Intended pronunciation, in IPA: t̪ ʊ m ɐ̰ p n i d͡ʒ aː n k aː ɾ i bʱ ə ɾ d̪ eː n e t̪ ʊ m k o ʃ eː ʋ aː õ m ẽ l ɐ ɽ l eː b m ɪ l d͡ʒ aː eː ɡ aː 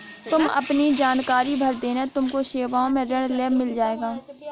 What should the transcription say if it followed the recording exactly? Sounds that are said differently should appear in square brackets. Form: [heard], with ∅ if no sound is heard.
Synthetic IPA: t̪ ʊ m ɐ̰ p n i d͡ʒ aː n k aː ɾ i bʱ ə ɾ d̪ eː n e t̪ ʊ m k o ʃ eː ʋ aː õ m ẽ [ɾ] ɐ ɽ l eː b m ɪ l d͡ʒ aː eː ɡ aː

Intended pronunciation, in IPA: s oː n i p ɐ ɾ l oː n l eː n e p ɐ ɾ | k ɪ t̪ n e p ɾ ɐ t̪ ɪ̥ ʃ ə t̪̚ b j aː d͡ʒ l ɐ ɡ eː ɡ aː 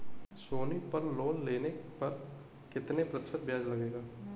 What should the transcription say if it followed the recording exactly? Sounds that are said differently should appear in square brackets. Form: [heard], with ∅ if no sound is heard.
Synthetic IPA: s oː n i p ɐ ɾ l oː n l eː n e p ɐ ɾ | k ɪ t̪ n e p ɾ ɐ t̪ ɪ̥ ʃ ə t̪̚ b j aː d͡ʒ l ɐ ɡ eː ɡ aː

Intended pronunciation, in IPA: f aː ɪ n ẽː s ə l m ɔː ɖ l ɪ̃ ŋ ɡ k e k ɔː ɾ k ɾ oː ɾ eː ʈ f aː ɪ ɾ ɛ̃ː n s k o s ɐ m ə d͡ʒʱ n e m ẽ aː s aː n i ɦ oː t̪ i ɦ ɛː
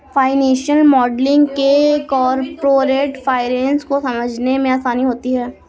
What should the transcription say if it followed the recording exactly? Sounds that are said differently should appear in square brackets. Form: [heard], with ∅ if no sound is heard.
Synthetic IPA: f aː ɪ n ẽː [ʃ] ə l m ɔː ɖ l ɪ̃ ŋ ɡ k e k ɔː ɾ [p] ɾ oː ɾ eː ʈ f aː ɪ ɾ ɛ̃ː n s k o s ɐ m ə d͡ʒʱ n e m ẽ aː s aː n i ɦ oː t̪ i ɦ ɛː

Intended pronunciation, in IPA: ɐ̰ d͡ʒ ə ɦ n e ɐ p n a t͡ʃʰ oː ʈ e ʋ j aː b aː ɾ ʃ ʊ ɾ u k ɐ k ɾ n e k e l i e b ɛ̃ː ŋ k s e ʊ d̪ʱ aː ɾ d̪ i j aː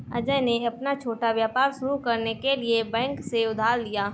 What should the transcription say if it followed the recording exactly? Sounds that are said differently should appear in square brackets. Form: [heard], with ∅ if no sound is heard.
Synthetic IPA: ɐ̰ d͡ʒ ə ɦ n e ɐ p n a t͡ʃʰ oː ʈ [a] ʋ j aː [p] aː ɾ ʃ ʊ ɾ u k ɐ [∅] ɾ n e k e l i e b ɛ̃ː ŋ k s e ʊ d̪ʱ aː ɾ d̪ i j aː

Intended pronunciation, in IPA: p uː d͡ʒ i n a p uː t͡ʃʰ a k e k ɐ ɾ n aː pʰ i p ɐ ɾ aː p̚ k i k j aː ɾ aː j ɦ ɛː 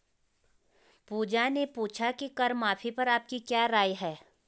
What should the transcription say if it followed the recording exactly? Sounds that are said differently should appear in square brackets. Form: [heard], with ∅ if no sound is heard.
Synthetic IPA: p uː d͡ʒ [a] n [e] p uː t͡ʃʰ a k [i] k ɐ ɾ [m] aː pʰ i p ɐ ɾ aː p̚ k i k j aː ɾ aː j ɦ ɛː

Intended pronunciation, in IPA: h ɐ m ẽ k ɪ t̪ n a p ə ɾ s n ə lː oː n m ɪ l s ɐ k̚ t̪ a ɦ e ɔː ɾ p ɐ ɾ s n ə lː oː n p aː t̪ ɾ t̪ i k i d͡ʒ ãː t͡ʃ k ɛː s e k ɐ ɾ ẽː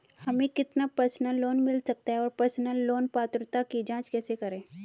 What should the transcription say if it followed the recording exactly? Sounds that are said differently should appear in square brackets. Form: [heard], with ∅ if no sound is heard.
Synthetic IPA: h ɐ m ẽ k ɪ t̪ n a p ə ɾ s n ə lː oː n m ɪ l s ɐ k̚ t̪ a ɦ [ɛ] ɔː ɾ p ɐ ɾ s n ə lː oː n p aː t̪ ɾ t̪ [a] k i d͡ʒ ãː t͡ʃ k ɛː s e k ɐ ɾ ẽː

